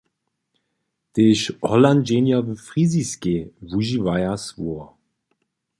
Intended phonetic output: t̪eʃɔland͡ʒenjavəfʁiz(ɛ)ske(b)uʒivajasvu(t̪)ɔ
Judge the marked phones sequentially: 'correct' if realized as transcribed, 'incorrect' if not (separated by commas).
incorrect, incorrect, incorrect